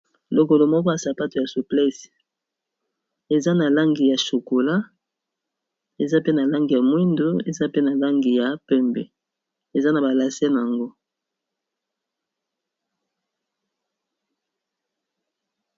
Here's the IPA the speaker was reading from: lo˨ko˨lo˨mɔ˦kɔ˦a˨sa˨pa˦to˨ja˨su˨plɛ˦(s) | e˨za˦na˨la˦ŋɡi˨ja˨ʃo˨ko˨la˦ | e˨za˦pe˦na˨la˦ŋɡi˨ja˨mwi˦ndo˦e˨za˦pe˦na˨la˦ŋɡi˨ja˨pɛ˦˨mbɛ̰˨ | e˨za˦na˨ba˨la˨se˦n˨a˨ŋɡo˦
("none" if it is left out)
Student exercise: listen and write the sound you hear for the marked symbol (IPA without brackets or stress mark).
s